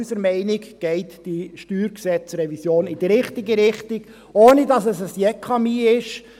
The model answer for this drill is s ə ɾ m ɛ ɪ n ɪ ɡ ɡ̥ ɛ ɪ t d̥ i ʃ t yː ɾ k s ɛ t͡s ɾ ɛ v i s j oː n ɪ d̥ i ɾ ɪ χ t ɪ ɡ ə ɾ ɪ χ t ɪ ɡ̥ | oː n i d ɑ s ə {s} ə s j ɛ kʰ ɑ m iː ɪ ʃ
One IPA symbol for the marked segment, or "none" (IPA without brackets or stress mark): s